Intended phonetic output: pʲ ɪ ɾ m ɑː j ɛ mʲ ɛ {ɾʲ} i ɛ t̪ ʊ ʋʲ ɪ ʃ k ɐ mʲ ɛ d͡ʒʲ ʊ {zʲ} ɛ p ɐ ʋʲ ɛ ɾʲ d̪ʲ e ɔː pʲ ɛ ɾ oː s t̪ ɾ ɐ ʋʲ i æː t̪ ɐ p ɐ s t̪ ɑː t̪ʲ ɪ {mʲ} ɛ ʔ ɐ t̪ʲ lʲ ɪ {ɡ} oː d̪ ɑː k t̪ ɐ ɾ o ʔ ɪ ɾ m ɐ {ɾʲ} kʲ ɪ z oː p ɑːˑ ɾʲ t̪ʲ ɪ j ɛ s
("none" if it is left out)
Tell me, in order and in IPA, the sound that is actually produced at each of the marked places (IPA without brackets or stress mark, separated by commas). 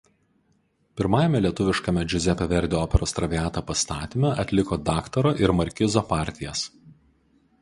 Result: lʲ, zʲ, mʲ, k, ɾʲ